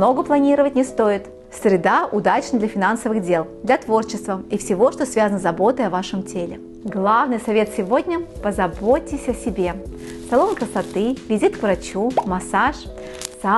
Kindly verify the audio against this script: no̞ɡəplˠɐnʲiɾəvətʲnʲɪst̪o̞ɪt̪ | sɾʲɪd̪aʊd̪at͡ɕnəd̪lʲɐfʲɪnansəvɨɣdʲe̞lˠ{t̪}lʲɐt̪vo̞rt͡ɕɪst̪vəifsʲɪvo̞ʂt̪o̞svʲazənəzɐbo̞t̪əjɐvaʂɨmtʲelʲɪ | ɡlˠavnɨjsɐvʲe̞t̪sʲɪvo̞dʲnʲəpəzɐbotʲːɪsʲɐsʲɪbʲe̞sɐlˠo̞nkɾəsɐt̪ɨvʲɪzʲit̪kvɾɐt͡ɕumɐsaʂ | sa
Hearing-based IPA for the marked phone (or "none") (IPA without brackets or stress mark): d̪